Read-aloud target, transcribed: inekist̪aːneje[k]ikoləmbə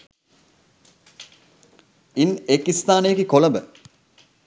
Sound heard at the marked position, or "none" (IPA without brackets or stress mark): k